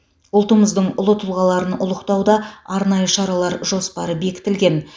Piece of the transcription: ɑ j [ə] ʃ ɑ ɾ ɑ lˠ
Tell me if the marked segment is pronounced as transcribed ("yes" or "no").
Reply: yes